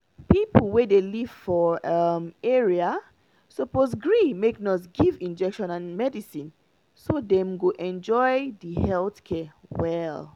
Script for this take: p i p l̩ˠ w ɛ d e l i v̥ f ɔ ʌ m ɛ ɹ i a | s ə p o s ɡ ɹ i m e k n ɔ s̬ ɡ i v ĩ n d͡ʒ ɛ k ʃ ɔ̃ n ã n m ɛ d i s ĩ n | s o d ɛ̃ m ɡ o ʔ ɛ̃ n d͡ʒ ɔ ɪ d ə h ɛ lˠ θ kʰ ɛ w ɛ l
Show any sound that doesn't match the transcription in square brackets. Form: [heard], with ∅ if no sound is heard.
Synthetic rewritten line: p i p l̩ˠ w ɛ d e l i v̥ f ɔ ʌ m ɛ ɹ i a | s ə p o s ɡ ɹ i m e k n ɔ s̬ ɡ i v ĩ n d͡ʒ ɛ k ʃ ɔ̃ n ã n m ɛ d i s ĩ n | s o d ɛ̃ m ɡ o ʔ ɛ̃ n d͡ʒ ɔ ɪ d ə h ɛ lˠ θ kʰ ɛ w ɛ l